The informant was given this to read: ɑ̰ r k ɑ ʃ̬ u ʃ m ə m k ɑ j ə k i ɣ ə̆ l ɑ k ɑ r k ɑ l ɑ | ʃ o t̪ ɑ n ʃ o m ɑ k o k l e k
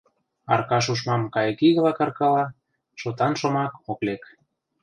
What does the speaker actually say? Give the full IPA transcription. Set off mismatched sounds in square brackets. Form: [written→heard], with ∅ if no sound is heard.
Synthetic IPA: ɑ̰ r k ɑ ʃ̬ u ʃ m [ə→ɑ] m k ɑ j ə k i ɣ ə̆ l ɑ k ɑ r k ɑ l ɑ | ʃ o t̪ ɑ n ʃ o m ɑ k o k l e k